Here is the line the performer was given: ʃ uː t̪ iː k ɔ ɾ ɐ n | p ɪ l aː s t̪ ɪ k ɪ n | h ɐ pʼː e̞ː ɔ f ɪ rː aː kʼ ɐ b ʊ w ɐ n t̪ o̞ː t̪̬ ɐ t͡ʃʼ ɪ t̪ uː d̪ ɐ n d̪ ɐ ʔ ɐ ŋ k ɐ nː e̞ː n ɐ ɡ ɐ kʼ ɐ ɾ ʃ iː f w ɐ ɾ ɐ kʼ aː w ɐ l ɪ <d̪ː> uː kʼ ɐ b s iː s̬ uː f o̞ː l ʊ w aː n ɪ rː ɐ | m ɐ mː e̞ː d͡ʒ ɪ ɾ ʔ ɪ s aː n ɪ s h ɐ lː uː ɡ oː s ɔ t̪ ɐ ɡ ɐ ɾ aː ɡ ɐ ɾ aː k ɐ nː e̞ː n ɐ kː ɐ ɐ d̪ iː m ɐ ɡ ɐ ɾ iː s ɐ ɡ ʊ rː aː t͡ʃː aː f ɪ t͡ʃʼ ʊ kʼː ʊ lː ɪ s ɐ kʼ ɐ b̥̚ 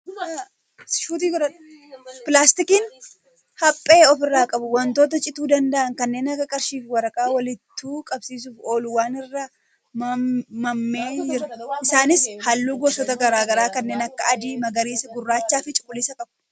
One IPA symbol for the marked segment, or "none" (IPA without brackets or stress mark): t̪ː